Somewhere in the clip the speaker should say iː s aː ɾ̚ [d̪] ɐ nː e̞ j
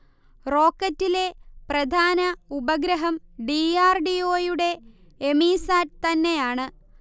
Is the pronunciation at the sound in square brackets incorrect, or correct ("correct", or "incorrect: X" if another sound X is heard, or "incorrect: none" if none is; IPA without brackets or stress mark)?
incorrect: t̪